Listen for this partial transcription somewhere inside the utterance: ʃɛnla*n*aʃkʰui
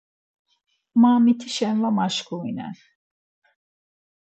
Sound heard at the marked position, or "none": m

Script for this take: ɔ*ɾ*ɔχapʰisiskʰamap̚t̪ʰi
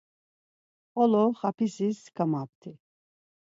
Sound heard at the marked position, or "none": l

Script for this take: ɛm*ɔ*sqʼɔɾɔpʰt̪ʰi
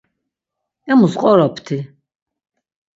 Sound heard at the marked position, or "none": u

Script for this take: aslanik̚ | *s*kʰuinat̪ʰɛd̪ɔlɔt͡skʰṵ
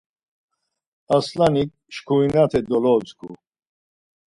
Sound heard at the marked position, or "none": ʃ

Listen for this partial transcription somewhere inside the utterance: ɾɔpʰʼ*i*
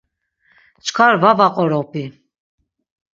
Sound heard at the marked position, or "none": i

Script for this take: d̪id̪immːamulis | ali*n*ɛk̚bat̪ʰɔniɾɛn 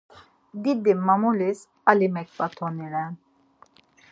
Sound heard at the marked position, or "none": m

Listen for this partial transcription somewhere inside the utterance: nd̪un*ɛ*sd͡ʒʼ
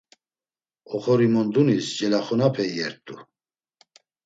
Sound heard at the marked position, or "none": i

